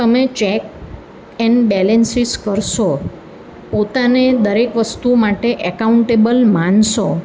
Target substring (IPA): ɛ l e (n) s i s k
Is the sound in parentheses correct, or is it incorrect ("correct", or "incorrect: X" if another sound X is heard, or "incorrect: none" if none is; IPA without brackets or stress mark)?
correct